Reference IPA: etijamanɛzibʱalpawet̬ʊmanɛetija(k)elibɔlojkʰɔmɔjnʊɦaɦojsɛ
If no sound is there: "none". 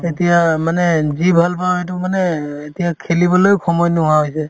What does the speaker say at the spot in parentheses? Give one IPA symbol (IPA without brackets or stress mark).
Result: kʰ